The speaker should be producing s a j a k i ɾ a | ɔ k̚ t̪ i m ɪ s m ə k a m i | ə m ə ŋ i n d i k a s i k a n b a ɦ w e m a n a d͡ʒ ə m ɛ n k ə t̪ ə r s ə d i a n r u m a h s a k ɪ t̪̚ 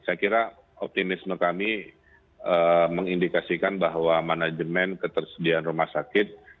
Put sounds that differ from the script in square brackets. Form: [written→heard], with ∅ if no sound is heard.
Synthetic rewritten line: s a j a k i ɾ a | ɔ [k̚→p̚] t̪ i m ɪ s m ə k a m i | ə m ə ŋ i n d i k a s i k a n b a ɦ w [e→a] m a n a d͡ʒ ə m ɛ n k ə t̪ ə r s ə d i a n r u m a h s a k ɪ t̪̚